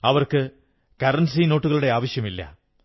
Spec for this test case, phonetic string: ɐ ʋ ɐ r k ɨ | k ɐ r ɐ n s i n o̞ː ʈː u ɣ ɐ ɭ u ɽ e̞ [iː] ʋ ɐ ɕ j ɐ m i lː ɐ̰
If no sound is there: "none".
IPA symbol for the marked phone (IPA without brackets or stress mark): aː